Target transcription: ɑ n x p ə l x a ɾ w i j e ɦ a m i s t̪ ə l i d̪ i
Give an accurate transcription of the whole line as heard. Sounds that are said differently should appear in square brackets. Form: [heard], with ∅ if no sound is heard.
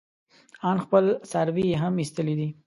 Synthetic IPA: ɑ n x p ə l [s] a ɾ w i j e ɦ a m i s t̪ ə l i d̪ i